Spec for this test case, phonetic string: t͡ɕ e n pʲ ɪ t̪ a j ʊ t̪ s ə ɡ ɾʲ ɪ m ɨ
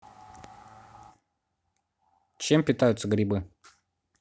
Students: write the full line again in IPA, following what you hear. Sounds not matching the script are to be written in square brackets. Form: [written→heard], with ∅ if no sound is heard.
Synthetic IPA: t͡ɕ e [n→m] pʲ ɪ t̪ a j ʊ t̪ s ə ɡ ɾʲ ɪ [m→b] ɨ